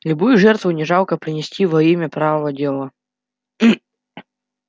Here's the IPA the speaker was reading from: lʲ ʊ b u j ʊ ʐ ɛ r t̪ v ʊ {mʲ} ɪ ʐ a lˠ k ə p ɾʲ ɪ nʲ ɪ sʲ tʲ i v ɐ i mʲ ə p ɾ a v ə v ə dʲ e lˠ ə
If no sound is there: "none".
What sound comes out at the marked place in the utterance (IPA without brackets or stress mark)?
nʲ